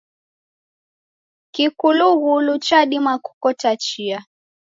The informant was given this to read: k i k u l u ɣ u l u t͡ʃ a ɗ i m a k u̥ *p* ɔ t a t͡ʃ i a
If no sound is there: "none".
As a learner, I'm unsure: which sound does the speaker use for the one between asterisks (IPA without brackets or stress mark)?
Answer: k